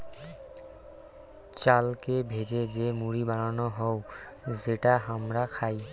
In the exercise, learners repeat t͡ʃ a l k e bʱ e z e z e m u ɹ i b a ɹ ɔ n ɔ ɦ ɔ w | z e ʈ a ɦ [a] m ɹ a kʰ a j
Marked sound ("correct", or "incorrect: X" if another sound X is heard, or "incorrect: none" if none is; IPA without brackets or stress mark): correct